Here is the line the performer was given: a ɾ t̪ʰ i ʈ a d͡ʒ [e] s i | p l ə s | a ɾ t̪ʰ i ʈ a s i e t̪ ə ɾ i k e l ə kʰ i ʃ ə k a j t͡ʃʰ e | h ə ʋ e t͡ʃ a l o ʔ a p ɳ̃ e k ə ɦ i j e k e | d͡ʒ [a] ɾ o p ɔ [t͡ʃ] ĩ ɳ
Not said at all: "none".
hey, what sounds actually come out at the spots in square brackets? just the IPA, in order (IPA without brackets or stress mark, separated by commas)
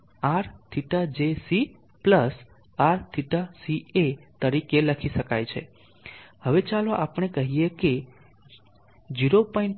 e, i, none